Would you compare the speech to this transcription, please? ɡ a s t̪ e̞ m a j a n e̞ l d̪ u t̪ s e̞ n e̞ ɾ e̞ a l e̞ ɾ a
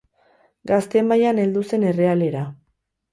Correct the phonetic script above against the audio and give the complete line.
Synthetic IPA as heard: ɡ a s t̪ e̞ m a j a n e̞ l d̪ u s e̞ n e̞ r e̞ a l e̞ ɾ a